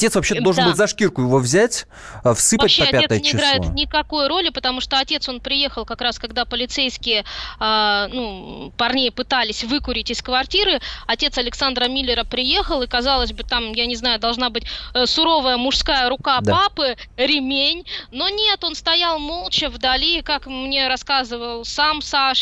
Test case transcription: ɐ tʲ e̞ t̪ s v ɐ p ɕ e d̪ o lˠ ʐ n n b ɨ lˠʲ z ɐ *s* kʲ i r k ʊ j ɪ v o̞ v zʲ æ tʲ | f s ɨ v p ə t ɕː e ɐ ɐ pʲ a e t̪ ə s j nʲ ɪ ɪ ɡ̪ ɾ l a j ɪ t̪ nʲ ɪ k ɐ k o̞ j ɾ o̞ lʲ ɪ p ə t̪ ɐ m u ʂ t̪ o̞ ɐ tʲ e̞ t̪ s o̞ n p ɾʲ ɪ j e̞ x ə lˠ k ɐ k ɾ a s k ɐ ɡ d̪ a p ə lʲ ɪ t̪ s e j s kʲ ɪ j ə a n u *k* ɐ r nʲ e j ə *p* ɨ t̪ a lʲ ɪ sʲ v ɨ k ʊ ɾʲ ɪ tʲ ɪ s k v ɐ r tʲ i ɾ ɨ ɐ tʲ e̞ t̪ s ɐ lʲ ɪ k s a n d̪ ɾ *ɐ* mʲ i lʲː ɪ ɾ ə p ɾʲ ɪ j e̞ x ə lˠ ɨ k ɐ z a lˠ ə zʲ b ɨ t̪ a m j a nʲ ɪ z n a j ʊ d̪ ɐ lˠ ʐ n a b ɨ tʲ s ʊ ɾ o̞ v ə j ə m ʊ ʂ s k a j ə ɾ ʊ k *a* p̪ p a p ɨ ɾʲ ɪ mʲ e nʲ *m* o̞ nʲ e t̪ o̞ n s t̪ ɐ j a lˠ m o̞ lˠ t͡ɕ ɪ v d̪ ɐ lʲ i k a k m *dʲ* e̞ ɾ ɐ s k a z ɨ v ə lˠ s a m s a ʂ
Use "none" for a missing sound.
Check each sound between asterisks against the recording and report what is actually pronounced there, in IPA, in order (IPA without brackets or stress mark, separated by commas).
ʂ, p, p, ə, a, n, nʲ